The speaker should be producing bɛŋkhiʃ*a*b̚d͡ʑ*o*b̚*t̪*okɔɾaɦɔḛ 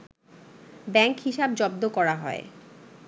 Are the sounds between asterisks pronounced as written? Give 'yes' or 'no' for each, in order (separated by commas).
yes, no, no